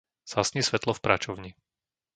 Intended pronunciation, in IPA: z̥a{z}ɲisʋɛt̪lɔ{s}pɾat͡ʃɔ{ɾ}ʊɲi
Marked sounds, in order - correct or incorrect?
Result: incorrect, incorrect, incorrect

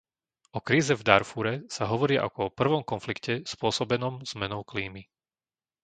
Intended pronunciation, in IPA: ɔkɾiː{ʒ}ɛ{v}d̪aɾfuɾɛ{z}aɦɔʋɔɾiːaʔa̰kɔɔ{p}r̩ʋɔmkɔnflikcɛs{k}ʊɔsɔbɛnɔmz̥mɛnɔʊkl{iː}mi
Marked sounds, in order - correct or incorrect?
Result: incorrect, correct, incorrect, correct, incorrect, correct

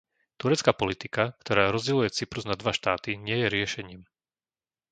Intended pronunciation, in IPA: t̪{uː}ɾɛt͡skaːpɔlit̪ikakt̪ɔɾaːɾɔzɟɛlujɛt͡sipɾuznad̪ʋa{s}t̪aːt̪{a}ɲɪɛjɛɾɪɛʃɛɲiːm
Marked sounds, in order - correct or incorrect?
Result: incorrect, incorrect, incorrect

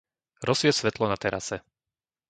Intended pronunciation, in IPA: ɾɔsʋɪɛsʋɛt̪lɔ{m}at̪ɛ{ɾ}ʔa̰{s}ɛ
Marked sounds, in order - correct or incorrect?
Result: incorrect, correct, correct

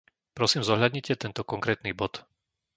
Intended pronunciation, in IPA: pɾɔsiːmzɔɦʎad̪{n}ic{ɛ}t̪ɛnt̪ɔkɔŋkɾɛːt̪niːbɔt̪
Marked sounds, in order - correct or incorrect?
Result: incorrect, correct

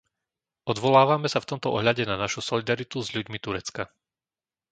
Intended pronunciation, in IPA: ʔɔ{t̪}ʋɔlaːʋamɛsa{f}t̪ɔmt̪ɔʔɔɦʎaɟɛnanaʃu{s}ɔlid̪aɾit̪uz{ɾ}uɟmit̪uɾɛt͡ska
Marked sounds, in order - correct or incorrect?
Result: incorrect, correct, correct, incorrect

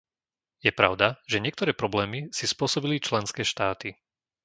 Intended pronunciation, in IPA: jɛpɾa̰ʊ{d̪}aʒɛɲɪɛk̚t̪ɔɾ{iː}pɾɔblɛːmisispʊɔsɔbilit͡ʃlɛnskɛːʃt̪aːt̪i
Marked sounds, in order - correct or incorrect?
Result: correct, incorrect

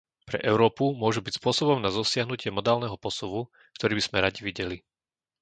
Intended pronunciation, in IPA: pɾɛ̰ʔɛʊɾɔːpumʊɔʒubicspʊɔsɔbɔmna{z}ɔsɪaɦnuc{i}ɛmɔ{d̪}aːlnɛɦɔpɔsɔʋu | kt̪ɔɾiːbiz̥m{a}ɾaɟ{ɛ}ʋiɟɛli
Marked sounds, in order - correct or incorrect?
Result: correct, incorrect, correct, incorrect, incorrect

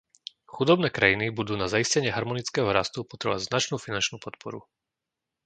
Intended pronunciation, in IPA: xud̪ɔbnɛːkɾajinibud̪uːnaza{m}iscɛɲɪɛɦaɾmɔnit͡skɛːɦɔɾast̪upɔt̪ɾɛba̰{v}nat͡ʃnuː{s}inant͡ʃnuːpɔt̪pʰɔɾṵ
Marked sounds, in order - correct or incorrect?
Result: incorrect, incorrect, incorrect

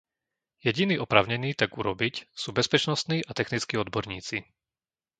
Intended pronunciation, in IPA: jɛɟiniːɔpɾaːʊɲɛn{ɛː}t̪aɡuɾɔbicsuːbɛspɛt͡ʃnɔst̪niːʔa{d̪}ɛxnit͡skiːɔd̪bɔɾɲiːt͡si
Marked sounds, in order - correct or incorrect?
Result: incorrect, incorrect

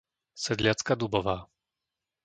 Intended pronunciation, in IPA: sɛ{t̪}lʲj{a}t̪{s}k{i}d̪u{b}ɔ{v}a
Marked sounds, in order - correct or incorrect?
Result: incorrect, correct, correct, incorrect, correct, correct

